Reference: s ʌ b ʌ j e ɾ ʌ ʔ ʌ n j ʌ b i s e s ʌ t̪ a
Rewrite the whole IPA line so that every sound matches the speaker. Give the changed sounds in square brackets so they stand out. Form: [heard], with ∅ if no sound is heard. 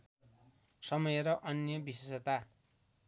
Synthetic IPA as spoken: s ʌ [m] ʌ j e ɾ ʌ ʔ ʌ n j ʌ b i s e s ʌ t̪ a